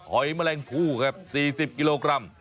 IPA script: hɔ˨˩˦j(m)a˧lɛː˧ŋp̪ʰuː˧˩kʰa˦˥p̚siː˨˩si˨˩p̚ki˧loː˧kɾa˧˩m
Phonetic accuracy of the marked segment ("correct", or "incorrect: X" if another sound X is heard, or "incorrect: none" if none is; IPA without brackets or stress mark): correct